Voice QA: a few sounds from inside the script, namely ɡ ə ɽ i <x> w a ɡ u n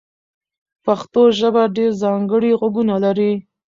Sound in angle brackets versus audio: incorrect: ɣ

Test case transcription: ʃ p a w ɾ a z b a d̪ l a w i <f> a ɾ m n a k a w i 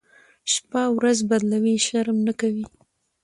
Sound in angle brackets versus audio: incorrect: ʃ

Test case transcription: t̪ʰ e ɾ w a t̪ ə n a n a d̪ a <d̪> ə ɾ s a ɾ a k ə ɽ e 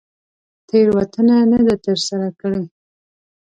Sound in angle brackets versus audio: incorrect: t̪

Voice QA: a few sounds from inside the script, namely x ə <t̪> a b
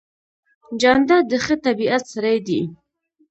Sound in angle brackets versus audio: correct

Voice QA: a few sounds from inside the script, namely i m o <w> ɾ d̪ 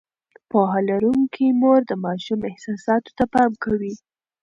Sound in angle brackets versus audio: incorrect: none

